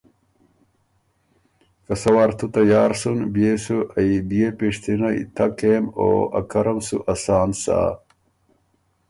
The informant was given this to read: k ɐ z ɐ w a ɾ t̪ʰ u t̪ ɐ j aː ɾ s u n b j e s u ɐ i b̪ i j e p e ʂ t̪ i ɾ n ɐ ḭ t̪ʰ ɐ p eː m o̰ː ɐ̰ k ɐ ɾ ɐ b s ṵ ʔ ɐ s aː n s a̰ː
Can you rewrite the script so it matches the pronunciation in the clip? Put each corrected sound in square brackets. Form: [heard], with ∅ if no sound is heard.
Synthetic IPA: k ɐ [s] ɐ w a ɾ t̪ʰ u t̪ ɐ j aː ɾ s u n b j e s u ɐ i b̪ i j e p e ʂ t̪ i [∅] n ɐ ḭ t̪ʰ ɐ [k] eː m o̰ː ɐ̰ k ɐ ɾ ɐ [m] s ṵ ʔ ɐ s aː n s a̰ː